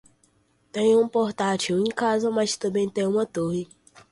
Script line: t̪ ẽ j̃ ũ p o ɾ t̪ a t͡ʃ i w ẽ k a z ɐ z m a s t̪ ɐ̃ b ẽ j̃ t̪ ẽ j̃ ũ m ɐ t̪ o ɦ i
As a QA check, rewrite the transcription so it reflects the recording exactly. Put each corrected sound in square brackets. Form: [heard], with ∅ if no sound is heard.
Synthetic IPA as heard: t̪ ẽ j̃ ũ p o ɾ t̪ a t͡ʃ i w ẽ k a z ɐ [∅] m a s t̪ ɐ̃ b ẽ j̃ t̪ ẽ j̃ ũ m ɐ t̪ o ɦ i